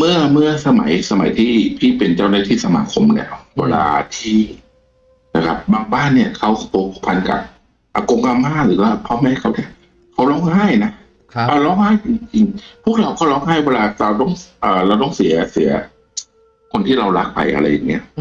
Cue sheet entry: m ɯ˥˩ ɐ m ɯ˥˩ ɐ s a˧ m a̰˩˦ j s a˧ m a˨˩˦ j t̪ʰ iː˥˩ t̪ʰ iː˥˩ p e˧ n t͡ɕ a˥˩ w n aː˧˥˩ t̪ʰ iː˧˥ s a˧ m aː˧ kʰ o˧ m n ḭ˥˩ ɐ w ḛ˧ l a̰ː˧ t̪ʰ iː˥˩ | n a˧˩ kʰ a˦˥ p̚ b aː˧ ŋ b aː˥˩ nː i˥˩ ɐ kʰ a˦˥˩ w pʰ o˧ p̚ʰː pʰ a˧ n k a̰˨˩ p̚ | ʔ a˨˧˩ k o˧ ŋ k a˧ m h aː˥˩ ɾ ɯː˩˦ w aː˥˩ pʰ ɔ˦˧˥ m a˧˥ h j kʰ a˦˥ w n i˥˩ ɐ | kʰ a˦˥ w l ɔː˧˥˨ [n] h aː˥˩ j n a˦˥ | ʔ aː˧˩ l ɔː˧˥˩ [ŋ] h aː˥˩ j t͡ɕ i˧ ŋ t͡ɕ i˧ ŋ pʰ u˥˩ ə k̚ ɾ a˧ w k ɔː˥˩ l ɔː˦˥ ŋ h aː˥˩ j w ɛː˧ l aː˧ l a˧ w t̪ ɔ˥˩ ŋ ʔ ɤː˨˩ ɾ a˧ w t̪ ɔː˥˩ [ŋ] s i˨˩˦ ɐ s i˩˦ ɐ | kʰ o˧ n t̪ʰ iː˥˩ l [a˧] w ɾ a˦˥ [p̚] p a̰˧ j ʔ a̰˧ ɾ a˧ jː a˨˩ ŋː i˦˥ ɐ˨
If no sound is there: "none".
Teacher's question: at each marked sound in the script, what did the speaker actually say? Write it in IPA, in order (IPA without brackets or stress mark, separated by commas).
ŋ, ŋ, ŋ, a˧, k̚